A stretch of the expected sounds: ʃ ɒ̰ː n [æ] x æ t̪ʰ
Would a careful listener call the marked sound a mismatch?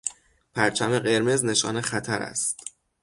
yes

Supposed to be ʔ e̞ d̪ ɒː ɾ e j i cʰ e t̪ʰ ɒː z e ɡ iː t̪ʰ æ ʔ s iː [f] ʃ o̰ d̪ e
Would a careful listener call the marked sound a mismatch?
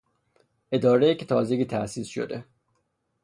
yes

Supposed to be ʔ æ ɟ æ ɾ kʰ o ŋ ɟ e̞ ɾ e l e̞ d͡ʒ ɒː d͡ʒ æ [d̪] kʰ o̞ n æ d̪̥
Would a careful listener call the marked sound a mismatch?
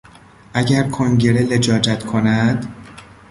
yes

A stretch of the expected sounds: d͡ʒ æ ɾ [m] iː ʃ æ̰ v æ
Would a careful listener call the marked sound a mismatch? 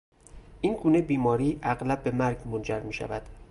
no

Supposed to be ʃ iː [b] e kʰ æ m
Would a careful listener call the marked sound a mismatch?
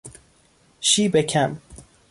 no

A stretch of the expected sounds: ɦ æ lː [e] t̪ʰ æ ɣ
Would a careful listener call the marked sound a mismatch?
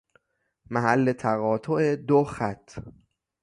no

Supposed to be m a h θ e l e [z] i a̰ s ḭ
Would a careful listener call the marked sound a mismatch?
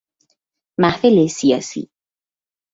yes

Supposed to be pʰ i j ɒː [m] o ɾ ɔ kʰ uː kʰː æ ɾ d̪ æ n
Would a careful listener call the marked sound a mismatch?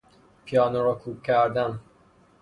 yes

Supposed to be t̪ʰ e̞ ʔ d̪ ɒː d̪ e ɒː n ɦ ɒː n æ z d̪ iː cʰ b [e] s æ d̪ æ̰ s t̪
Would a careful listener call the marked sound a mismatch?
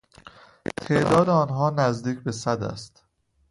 no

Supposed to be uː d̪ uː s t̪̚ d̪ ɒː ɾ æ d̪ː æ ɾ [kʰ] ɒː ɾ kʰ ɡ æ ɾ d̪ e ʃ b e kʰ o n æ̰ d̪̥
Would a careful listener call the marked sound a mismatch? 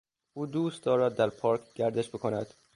yes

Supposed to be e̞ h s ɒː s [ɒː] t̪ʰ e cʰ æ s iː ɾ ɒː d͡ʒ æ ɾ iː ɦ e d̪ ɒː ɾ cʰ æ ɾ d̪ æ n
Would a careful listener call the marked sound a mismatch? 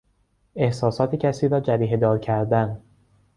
no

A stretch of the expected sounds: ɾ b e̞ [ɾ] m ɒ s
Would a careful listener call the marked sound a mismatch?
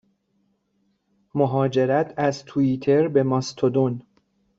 yes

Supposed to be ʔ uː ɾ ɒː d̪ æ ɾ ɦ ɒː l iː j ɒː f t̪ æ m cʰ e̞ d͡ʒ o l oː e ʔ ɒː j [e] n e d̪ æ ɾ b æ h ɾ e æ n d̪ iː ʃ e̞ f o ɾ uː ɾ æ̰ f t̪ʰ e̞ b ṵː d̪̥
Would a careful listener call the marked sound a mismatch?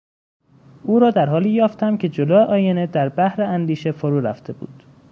no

